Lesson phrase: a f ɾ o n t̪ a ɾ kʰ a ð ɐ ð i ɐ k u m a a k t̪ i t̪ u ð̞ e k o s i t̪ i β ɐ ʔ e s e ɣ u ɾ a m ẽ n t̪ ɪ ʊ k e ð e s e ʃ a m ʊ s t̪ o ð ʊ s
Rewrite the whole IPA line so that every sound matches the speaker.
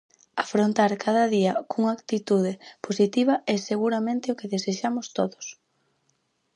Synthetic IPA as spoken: a f ɾ o n t̪ a ɾ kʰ a ð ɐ ð i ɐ k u ŋ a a k t̪ i t̪ u ð̞ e p o s i t̪ i β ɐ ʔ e s e ɣ u ɾ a m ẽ n t̪ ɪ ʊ k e ð e s e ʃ a m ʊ s t̪ o ð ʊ s

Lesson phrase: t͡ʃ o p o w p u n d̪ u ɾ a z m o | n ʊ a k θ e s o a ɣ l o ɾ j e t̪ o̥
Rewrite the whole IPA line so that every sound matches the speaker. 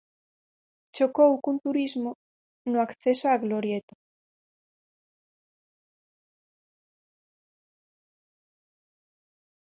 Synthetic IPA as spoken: t͡ʃ o k o w k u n t̪ u ɾ i z m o | n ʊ a k θ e s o a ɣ l o ɾ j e t̪ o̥

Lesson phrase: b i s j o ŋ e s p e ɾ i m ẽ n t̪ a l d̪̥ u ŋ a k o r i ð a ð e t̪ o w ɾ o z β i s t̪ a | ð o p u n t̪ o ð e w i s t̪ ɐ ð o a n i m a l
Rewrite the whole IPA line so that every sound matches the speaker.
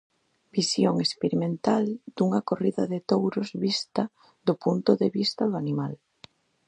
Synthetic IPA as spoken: b i s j o ŋ e s p e ɾ i m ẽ n t̪ a l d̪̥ u ŋ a k o r i ð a ð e t̪ o w ɾ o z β i s t̪ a | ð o p u n t̪ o ð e β i s t̪ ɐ ð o a n i m a l

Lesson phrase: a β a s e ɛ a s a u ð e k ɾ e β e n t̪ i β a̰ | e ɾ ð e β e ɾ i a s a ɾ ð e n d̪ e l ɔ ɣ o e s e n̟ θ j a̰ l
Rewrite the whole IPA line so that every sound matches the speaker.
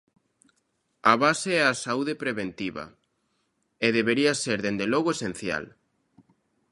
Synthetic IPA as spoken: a β a s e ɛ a s a u ð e p ɾ e β e n t̪ i β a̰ | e ð e β e ɾ i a s e ɾ ð e n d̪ e l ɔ ɣ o e s e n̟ θ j a̰ l

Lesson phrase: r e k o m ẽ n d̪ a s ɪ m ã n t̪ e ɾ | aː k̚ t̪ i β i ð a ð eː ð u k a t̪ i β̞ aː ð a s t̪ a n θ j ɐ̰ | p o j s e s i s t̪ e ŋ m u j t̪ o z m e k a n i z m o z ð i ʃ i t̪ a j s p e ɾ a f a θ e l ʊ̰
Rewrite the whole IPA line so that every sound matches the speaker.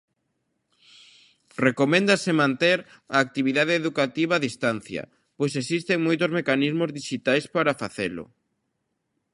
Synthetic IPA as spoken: r e k o m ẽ n d̪ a s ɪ m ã n t̪ e ɾ | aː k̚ t̪ i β i ð a ð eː ð u k a t̪ i β̞ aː ð i s t̪ a n θ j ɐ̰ | p o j s e s i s t̪ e ŋ m o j t̪ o z m e k a n i z m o z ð i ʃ i t̪ a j s p a ɾ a f a θ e l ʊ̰

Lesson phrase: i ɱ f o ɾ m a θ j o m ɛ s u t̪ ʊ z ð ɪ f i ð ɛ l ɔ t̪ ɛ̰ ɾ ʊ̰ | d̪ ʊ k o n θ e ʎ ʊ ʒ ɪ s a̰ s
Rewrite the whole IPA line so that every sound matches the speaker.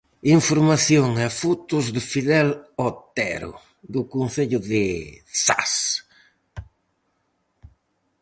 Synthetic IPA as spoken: i ɱ f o ɾ m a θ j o ŋ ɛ f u t̪ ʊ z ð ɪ f i ð ɛ l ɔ t̪ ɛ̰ ɾ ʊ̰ | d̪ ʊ k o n θ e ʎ ʊ ð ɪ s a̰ s

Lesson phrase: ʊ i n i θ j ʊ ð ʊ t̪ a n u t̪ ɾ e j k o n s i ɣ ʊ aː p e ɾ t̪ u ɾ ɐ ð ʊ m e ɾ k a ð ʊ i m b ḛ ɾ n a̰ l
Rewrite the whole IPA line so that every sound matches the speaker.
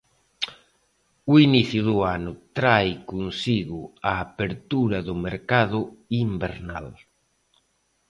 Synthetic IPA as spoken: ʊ i n i θ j ʊ ð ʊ a n ʊ t̪ ɾ a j k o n s i ɣ ʊ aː p e ɾ t̪ u ɾ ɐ ð ʊ m e ɾ k a ð ʊ i m b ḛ ɾ n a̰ l

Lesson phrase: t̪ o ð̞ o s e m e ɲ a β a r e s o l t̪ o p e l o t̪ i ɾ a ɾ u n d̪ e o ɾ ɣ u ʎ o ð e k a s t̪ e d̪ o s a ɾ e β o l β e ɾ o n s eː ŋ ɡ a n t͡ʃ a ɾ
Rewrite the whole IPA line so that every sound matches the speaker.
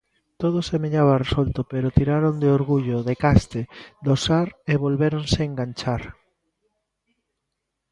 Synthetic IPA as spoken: t̪ o ð̞ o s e m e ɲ a β a r e s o l t̪ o p e ɾ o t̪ i ɾ a ɾ o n d̪ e o ɾ ɣ u ʎ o ð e k a s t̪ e d̪ o s a ɾ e β o l β e ɾ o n s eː ŋ ɡ a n t͡ʃ a ɾ

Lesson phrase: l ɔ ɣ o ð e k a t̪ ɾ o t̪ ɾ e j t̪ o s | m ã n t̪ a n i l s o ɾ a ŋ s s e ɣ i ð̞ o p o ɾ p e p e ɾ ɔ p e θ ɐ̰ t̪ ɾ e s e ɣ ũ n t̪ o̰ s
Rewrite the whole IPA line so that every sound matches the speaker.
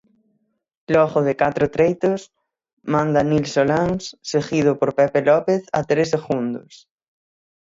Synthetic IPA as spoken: l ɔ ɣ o ð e k a t̪ ɾ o t̪ ɾ e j t̪ o s | m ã n d̪ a n i l s o l a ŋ s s e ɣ i ð̞ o p o ɾ p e p e l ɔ p e θ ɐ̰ t̪ ɾ e s e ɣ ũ n d̪ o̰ s

